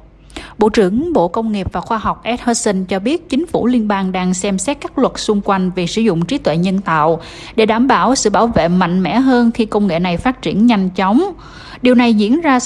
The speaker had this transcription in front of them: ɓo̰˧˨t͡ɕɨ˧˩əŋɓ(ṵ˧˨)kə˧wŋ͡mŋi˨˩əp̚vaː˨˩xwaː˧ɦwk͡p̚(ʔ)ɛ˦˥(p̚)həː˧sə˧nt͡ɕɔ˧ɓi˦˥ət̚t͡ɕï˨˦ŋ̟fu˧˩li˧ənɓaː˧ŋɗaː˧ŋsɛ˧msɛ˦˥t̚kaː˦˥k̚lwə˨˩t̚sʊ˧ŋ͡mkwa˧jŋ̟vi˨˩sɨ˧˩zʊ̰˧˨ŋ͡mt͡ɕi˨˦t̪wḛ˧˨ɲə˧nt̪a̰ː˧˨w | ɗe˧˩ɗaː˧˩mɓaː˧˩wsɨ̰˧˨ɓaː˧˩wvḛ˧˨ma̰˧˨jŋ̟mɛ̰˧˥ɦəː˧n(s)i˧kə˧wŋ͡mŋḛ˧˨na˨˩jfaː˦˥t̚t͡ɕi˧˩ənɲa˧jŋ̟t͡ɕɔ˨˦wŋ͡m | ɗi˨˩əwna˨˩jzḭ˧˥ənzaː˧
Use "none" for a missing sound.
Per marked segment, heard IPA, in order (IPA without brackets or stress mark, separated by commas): o̰˧˨, ʔ, t̚, x